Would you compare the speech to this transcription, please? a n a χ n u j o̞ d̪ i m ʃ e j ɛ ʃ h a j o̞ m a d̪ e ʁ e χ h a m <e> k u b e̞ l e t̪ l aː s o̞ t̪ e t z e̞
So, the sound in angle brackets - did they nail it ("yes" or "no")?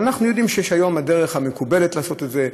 yes